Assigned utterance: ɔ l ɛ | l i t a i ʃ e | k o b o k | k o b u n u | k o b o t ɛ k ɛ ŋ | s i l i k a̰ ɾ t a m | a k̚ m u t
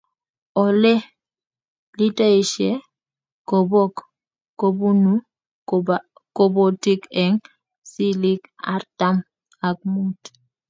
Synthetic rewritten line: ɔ l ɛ | l i t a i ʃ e | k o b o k | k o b u n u | k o b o t i k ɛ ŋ | s i l i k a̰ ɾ t a m | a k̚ m u t